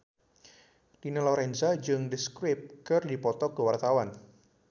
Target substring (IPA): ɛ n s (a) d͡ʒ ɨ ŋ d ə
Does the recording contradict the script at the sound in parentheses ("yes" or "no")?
no